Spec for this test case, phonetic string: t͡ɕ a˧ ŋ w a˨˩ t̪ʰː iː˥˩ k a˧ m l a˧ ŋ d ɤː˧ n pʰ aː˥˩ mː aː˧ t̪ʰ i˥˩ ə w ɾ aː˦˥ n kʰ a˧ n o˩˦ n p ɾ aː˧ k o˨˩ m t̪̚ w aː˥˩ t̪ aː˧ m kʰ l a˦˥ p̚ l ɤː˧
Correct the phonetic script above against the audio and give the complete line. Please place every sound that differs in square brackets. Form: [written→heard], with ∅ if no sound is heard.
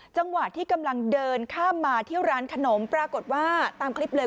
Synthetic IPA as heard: t͡ɕ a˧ ŋ w a˨˩ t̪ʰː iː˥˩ k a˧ m l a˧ ŋ d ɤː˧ n [pʰ→kʰ] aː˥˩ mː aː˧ t̪ʰ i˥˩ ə w ɾ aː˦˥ n kʰ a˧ n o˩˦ [n→m] p ɾ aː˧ k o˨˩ [m→∅] t̪̚ w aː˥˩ t̪ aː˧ m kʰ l [a˦˥→i˦˥] p̚ l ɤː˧